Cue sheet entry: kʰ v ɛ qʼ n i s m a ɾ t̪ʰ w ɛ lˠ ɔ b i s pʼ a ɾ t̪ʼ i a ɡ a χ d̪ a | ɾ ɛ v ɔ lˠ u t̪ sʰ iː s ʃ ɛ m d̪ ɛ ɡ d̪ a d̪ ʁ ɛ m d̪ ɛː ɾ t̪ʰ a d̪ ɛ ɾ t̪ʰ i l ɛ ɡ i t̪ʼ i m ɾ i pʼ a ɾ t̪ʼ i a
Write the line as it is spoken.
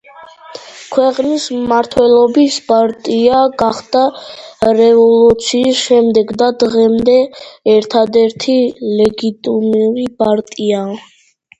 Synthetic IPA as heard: kʰ w ɛ qʼ n i s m a ɾ t̪ʰ w ɛ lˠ ɔ b i s pʼ a ɾ t̪ʼ i a ɡ a χ d̪ a | ɾ ɛ v ɔ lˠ u t̪ sʰ iː s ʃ ɛ m d̪ ɛ ɡ d̪ a d̪ ʁ ɛ m d̪ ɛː ɾ t̪ʰ a d̪ ɛ ɾ t̪ʰ i l ɛ ɡ i t̪ʼ i m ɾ i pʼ a ɾ t̪ʼ i a